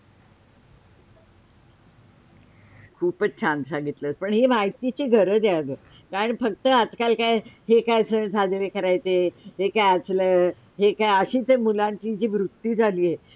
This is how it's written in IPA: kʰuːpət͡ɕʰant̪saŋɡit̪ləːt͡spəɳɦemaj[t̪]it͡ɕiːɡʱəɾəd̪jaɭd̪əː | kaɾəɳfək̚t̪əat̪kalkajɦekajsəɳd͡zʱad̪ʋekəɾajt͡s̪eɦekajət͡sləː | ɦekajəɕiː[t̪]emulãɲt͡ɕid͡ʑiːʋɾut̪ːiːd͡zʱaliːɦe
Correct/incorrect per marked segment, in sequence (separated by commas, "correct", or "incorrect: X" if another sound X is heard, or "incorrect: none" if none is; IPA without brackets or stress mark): correct, correct